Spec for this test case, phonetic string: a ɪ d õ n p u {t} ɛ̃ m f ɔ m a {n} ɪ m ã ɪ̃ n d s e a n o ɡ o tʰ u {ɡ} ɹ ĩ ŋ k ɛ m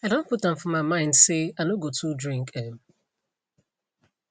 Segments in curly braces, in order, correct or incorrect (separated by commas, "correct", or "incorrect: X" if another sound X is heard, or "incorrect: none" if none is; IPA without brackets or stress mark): correct, incorrect: none, incorrect: d